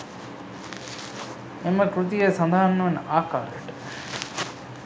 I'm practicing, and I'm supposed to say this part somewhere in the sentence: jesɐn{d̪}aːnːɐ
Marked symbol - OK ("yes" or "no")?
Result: yes